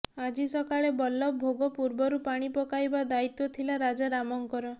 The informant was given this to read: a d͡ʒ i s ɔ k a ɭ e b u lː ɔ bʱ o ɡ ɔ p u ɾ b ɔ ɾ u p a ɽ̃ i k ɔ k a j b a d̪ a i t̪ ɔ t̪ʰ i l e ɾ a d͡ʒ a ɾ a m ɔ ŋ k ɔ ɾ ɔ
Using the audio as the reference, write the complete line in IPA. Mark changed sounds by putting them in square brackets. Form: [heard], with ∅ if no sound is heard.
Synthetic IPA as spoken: a d͡ʒ i s ɔ k a ɭ e b [ɔ] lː ɔ bʱ o ɡ ɔ p u ɾ b ɔ ɾ u p a ɽ̃ i [p] ɔ k a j b a d̪ a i t̪ ɔ t̪ʰ i l [a] ɾ a d͡ʒ a ɾ a m ɔ ŋ k ɔ ɾ ɔ

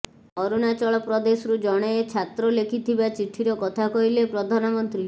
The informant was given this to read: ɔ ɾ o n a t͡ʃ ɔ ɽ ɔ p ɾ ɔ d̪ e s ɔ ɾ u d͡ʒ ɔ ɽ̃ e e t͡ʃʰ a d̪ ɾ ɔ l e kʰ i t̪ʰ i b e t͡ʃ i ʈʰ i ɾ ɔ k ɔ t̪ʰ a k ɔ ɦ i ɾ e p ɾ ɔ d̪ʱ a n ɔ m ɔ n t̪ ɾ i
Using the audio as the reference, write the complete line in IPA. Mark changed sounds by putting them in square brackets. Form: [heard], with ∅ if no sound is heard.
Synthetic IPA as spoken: ɔ ɾ [u] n a t͡ʃ ɔ [ɭ] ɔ p ɾ ɔ d̪ e s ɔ ɾ u d͡ʒ ɔ ɽ̃ e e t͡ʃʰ a [t̪] ɾ ɔ l e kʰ i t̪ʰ i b [a] t͡ʃ i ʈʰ i ɾ ɔ k ɔ t̪ʰ a k ɔ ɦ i [l] e p ɾ ɔ d̪ʱ a n ɔ m ɔ n t̪ ɾ i

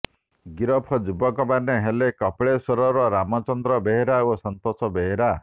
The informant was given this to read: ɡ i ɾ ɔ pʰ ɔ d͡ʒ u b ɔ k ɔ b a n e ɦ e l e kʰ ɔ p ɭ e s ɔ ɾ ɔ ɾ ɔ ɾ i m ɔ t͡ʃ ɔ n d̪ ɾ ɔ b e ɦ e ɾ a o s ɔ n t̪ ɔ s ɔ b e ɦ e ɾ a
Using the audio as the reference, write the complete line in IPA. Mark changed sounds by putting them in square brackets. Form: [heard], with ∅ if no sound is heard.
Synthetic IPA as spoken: ɡ i ɾ ɔ pʰ ɔ d͡ʒ u b ɔ k ɔ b a n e ɦ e l e [k] ɔ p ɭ e s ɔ ɾ ɔ ɾ ɔ ɾ [a] m ɔ t͡ʃ ɔ n d̪ ɾ ɔ b e ɦ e ɾ a o s ɔ n t̪ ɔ s ɔ b e ɦ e ɾ a

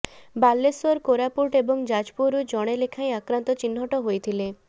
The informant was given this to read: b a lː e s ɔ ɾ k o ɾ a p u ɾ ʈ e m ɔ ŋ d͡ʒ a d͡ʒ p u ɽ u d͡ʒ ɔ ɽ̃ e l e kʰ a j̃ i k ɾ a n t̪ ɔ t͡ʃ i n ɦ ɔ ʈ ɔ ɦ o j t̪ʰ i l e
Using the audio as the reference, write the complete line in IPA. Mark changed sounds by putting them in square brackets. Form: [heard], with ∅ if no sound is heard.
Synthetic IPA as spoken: b a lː e s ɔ ɾ k o ɾ a p u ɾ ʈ e [b] ɔ ŋ d͡ʒ a d͡ʒ p u [ɾ] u d͡ʒ ɔ ɽ̃ e l e kʰ a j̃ [a] k ɾ a n t̪ ɔ t͡ʃ i n ɦ ɔ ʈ ɔ ɦ o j t̪ʰ i l e

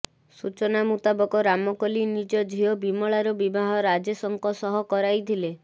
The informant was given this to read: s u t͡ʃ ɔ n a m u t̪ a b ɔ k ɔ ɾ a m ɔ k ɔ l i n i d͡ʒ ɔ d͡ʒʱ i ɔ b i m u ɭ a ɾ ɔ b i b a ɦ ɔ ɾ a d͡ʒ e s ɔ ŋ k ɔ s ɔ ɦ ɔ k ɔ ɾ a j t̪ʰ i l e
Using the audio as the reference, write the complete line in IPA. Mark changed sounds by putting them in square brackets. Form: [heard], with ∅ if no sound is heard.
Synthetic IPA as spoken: s u t͡ʃ ɔ n a m u t̪ a b ɔ k ɔ ɾ a m ɔ k ɔ l i n i d͡ʒ ɔ d͡ʒʱ i ɔ b i m [ɔ] ɭ a ɾ ɔ b i b a ɦ ɔ ɾ a d͡ʒ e s ɔ ŋ k ɔ s ɔ ɦ ɔ k ɔ ɾ a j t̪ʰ i l e

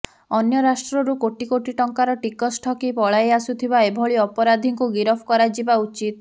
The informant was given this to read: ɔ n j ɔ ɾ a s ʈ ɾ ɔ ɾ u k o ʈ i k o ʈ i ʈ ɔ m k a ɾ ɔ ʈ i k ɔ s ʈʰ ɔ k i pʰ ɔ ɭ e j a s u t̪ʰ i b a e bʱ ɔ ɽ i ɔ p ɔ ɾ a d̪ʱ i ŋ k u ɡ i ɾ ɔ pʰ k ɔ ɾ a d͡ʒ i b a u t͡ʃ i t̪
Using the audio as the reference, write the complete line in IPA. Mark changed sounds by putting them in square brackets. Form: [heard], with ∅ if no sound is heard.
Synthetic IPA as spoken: ɔ n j ɔ ɾ a s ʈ ɾ ɔ ɾ u k o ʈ i k o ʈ i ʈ ɔ [ŋ] k a ɾ ɔ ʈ i k ɔ s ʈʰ ɔ k i [p] ɔ ɭ [a] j a s u t̪ʰ i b a e bʱ ɔ [ɭ] i ɔ p ɔ ɾ a d̪ʱ i ŋ k u ɡ i ɾ ɔ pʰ k ɔ ɾ a d͡ʒ i b a u t͡ʃ i t̪

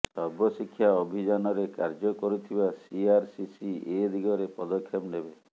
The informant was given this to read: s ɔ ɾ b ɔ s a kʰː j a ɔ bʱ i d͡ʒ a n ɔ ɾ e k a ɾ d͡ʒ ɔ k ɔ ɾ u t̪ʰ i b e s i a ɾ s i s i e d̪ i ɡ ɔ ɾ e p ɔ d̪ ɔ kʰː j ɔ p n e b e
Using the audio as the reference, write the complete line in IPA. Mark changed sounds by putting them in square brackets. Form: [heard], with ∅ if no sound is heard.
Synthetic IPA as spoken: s ɔ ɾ b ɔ s [i] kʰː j a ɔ bʱ i d͡ʒ a n ɔ ɾ e k a ɾ d͡ʒ ɔ k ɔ ɾ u t̪ʰ i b [a] s i a ɾ s i s i e d̪ i ɡ ɔ ɾ e p ɔ d̪ ɔ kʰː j ɔ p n e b e

